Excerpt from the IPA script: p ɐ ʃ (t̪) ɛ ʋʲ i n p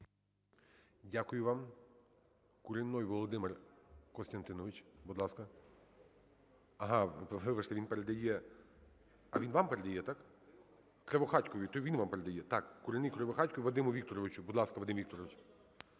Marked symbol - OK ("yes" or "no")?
yes